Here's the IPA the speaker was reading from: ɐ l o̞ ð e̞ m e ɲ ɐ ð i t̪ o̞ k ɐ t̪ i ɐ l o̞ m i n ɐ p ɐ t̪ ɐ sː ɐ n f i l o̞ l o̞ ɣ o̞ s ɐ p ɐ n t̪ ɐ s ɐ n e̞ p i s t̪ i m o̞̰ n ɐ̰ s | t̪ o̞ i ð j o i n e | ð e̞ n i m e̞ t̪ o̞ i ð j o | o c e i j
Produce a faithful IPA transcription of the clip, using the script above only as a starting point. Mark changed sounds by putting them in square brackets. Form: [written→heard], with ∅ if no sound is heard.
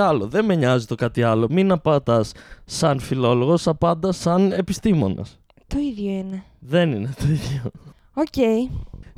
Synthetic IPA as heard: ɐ l o̞ ð e̞ m e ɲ ɐ [ð→z] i t̪ o̞ k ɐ t̪ i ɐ l o̞ m i n ɐ p ɐ t̪ ɐ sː ɐ n f i l o̞ l o̞ ɣ o̞ s ɐ p ɐ n [t̪→d̪] ɐ s ɐ n e̞ p i s t̪ i m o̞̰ n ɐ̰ s | t̪ o̞ i ð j o i n e | ð e̞ n i [m→n] e̞ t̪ o̞ i ð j o | o c e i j